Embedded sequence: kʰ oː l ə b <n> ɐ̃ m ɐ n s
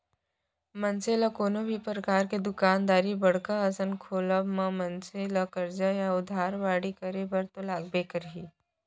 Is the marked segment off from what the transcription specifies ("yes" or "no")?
yes